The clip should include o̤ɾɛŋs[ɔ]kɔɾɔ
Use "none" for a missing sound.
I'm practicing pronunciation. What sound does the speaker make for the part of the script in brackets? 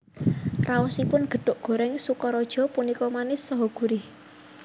u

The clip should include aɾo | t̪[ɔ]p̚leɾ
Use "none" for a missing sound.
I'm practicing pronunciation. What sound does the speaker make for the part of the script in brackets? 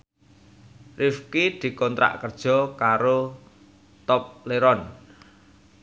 ɔ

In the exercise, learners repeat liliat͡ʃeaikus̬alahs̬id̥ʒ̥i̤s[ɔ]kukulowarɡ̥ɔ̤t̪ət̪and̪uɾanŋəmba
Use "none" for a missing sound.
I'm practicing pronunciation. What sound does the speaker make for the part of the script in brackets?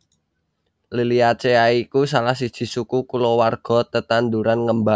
u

